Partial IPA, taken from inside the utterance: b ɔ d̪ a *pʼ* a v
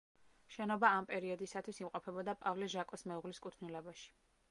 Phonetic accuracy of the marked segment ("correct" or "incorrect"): correct